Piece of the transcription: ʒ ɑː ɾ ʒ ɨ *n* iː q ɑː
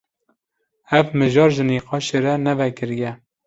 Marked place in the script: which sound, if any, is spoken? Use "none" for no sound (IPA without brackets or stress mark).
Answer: n